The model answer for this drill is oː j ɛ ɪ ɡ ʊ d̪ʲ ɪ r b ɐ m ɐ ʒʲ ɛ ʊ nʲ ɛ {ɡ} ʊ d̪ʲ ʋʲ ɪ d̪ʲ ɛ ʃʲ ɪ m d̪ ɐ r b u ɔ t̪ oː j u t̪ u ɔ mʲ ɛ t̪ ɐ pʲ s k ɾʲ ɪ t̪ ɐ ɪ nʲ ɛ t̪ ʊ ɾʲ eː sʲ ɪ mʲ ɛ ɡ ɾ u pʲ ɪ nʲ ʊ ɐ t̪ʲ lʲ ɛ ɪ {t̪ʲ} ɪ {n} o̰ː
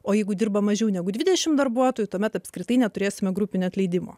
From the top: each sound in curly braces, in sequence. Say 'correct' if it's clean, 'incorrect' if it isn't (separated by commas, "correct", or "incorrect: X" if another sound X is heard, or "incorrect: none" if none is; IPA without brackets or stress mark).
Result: correct, incorrect: d̪ʲ, incorrect: m